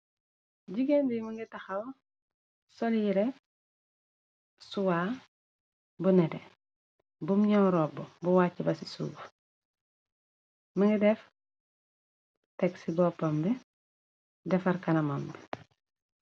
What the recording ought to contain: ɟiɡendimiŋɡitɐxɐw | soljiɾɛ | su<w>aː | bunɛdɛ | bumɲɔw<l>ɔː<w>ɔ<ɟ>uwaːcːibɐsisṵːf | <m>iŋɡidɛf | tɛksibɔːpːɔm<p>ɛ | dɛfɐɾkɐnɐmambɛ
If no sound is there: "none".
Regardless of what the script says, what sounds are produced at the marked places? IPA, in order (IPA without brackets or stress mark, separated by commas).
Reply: w, ɾ, b, b, m, b